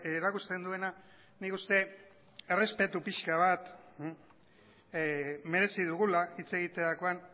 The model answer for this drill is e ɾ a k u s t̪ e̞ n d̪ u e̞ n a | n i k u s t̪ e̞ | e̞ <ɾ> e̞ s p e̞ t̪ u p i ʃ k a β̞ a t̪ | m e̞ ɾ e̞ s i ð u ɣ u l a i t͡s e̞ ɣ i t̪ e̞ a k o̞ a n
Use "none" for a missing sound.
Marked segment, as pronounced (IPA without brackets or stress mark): r